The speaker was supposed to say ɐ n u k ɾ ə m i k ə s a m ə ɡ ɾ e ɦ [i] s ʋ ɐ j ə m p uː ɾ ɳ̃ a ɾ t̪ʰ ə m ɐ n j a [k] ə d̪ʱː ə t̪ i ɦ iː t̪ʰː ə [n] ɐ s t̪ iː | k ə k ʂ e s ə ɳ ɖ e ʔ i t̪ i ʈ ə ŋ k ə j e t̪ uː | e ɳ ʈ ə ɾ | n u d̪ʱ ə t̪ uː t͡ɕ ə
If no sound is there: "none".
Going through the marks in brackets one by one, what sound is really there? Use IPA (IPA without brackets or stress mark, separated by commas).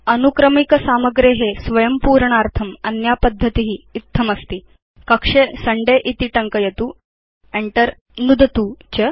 e, p, m